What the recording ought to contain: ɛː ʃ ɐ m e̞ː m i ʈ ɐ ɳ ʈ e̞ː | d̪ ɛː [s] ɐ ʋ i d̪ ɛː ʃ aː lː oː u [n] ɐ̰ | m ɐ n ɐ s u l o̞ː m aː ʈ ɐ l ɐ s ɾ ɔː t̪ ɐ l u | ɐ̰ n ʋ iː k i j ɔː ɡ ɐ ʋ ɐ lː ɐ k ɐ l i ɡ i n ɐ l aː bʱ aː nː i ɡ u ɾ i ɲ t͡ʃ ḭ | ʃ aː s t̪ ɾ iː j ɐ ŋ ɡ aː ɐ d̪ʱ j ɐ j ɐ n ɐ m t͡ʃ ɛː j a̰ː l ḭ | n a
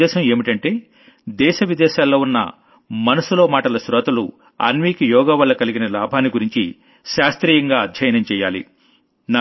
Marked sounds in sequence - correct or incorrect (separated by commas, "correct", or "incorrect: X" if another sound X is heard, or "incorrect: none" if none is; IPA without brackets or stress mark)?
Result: incorrect: ʃ, incorrect: nː